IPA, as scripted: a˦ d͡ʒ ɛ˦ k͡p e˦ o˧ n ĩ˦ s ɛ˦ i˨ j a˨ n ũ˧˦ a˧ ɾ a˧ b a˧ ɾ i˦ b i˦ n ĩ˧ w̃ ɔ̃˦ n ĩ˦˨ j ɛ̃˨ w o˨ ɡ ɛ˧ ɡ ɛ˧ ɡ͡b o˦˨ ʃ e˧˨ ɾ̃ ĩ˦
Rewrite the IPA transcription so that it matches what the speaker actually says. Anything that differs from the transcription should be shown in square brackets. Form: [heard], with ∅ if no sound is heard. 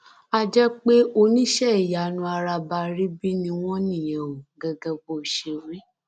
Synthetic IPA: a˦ d͡ʒ ɛ˦ k͡p e˦ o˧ n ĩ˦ [ʃ] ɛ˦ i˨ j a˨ n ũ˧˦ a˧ ɾ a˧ b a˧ ɾ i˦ b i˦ n ĩ˧ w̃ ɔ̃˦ n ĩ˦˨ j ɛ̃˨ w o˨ ɡ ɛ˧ ɡ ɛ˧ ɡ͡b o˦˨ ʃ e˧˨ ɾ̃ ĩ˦